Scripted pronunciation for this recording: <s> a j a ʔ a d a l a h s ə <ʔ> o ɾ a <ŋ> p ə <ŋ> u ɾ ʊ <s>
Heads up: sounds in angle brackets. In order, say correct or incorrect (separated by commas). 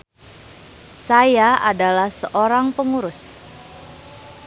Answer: correct, correct, correct, correct, correct